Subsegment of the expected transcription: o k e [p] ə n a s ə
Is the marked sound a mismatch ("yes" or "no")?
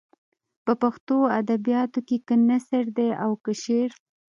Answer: yes